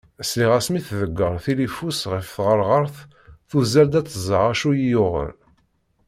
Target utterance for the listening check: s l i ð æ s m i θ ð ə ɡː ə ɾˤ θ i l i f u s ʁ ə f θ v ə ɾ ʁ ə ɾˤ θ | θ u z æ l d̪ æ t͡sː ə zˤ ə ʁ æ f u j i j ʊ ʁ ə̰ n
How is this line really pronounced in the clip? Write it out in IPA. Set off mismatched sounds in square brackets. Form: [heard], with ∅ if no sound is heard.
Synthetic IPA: s l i [ʁ] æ s m i θ ð ə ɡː ə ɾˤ θ i l i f u s ʁ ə f θ [ʁ] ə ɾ ʁ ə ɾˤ θ | θ u z æ l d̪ æ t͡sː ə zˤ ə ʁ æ [ʃ] u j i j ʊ ʁ ə̰ n